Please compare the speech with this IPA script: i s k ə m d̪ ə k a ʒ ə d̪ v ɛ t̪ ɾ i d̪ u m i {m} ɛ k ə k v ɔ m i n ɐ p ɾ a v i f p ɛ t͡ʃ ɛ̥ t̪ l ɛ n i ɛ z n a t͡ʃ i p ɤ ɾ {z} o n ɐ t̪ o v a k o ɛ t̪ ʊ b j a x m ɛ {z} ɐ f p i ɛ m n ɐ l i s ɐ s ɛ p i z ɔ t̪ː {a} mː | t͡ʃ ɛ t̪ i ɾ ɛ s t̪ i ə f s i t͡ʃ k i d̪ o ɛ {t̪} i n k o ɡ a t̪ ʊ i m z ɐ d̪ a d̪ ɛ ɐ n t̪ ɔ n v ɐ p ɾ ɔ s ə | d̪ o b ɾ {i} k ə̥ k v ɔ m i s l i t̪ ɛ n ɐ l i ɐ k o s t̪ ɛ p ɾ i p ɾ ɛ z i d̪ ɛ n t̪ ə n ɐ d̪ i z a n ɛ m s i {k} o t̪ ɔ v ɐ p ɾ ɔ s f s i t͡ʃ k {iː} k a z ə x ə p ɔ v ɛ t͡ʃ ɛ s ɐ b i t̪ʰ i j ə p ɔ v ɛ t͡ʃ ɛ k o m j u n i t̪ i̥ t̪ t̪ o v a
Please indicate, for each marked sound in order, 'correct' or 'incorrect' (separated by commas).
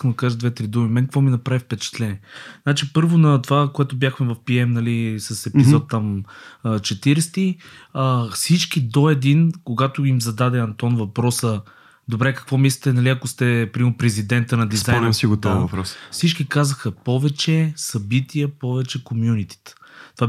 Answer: correct, incorrect, incorrect, correct, incorrect, incorrect, incorrect, incorrect